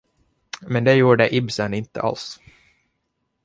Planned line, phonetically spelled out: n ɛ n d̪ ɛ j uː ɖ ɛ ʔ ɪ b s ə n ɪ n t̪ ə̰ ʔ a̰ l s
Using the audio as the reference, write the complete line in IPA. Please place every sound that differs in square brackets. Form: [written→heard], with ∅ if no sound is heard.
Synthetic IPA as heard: [n→m] ɛ n d̪ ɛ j uː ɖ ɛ ʔ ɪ b s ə n ɪ n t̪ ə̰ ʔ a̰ l s